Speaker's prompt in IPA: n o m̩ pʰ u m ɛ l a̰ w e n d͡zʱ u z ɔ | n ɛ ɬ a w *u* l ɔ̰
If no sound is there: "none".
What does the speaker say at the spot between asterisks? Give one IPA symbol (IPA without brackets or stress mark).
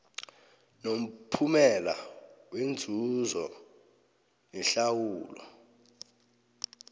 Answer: uː